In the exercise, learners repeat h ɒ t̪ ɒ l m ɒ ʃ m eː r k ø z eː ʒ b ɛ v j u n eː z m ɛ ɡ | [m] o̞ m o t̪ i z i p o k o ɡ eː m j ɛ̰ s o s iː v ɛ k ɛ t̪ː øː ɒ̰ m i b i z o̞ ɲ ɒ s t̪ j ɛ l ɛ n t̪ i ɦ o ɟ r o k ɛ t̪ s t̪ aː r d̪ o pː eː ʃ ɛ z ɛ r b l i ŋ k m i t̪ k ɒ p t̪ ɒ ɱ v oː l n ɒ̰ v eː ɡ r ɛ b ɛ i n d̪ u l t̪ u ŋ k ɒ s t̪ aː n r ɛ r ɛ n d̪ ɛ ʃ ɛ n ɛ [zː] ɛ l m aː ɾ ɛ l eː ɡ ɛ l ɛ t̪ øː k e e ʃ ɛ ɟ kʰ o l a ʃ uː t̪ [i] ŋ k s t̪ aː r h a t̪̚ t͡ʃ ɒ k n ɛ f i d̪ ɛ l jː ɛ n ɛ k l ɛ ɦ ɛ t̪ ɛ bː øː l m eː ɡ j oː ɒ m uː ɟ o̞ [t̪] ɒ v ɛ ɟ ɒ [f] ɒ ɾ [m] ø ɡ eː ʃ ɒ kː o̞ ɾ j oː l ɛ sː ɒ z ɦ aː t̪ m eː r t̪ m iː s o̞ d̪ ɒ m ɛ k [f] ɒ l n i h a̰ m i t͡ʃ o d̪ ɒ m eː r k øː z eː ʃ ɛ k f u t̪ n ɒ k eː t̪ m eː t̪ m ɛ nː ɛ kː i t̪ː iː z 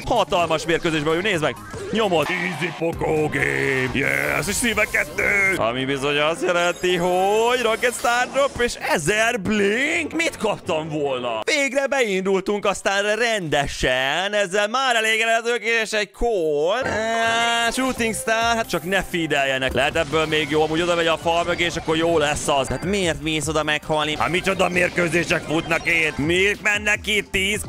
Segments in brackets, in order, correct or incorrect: incorrect, correct, correct, incorrect, correct, correct, incorrect

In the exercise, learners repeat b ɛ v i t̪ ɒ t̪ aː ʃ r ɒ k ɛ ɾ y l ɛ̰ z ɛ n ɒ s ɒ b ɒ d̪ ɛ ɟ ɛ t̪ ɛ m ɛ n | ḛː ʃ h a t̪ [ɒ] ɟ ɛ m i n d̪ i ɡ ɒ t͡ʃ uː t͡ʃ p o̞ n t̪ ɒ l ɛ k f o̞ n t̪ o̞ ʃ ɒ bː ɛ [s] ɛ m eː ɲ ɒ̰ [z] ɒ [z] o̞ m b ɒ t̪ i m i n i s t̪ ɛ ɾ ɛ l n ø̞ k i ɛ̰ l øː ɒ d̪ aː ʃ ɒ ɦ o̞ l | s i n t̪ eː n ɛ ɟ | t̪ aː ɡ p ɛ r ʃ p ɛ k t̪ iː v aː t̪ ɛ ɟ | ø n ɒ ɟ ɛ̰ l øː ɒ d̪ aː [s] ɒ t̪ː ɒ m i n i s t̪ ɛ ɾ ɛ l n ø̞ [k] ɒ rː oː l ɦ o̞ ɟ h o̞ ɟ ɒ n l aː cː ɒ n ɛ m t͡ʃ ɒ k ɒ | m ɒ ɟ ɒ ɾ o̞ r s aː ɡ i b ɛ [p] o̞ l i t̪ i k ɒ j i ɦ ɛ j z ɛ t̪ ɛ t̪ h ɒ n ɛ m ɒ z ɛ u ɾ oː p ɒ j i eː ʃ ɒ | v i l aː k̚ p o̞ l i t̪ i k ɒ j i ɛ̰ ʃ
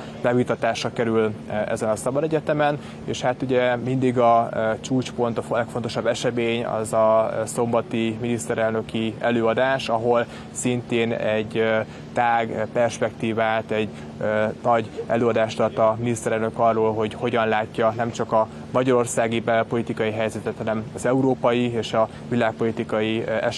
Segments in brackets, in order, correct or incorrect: incorrect, incorrect, correct, incorrect, incorrect, correct, correct

